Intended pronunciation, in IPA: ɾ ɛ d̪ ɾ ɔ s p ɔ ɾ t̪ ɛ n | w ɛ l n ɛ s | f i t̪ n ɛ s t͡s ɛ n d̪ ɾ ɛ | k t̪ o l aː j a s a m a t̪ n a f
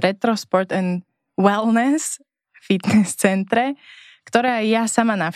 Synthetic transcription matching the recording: ɾ ɛ t̪ ɾ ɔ s p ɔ ɾ t̪ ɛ n | w ɛ l n ɛ s | f i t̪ n ɛ s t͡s ɛ n t̪ ɾ ɛ | k t̪ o ɾ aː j a s a m a n a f